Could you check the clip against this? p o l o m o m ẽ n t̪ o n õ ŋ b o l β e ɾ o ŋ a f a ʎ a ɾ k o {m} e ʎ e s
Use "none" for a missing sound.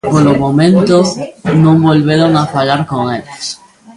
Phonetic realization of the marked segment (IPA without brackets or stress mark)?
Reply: ŋ